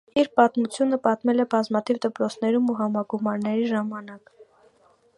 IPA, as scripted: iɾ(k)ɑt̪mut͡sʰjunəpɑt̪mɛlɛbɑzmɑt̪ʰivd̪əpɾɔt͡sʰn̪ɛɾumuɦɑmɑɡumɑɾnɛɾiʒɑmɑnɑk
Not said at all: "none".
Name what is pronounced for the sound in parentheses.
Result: p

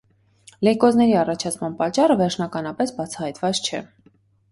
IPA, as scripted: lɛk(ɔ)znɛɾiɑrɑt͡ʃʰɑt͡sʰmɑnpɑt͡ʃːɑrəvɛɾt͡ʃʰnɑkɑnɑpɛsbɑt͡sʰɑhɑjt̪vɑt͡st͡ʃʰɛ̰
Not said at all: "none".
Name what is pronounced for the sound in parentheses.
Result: ɔ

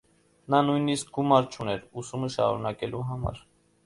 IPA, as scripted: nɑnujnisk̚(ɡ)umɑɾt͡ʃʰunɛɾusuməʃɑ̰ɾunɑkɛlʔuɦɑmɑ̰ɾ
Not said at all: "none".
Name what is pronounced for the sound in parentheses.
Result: ɡ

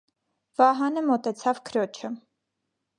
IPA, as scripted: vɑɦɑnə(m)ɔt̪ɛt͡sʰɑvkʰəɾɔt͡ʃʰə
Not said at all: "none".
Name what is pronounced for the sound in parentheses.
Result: m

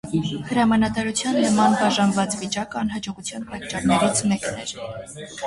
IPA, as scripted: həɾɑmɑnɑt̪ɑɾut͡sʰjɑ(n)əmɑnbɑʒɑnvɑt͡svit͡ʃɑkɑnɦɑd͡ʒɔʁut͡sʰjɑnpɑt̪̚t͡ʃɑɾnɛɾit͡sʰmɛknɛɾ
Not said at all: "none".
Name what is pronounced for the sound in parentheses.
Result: nː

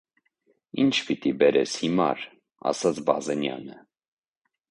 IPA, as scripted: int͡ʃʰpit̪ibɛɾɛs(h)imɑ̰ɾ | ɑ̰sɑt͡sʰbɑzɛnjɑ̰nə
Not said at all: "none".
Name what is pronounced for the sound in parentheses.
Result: h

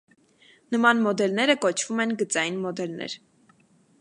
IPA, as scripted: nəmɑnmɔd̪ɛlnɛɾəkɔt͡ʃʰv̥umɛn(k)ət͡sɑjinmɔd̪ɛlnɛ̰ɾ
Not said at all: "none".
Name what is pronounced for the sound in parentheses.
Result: ɡ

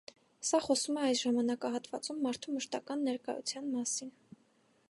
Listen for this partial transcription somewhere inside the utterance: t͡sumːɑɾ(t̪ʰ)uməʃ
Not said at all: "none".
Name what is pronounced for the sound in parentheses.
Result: t̪ʰ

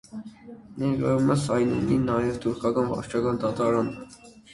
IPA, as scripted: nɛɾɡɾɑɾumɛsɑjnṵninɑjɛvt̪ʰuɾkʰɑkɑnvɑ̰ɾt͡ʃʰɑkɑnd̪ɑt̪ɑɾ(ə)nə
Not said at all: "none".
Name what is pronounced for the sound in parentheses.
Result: ɑ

